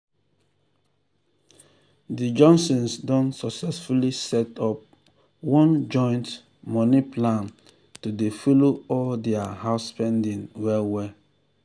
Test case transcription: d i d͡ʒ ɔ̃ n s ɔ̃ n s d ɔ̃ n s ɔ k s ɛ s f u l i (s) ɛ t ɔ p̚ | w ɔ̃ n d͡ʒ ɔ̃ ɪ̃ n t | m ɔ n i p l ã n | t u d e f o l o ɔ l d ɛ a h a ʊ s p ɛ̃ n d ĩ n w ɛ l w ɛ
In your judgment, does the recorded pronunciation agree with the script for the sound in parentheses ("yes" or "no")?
yes